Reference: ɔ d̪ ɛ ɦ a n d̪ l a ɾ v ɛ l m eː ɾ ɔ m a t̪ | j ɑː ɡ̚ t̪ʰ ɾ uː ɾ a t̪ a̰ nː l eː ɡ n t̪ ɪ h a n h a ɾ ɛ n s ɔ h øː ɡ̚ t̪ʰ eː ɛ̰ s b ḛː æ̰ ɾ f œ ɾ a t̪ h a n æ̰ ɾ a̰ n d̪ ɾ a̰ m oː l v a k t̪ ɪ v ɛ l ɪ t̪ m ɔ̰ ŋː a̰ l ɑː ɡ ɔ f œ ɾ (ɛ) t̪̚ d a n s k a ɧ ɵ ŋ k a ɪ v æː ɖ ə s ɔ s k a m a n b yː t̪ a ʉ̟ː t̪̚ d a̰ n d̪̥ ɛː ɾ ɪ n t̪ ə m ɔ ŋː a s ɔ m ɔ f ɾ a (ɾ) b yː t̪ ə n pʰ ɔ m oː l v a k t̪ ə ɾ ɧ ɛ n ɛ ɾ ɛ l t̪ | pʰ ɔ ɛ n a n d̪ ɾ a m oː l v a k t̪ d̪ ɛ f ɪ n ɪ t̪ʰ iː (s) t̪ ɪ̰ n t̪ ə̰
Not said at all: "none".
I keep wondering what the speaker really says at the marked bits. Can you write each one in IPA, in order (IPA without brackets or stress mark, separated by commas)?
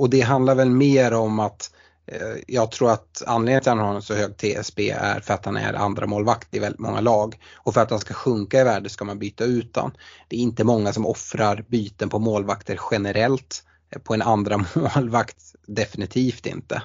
a, ɾ, f